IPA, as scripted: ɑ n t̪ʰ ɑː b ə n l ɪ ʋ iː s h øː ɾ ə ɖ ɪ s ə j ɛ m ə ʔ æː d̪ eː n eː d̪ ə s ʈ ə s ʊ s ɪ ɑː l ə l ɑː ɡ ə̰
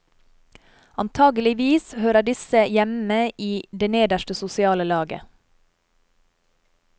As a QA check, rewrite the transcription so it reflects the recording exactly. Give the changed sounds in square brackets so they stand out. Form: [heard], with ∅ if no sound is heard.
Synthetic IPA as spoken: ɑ n t̪ʰ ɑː [ɡ] ə [∅] l ɪ ʋ iː s h øː ɾ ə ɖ ɪ s ə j ɛ m ə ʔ [iː] d̪ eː n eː d̪ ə [ʃ] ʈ ə s ʊ s ɪ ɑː l ə l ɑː ɡ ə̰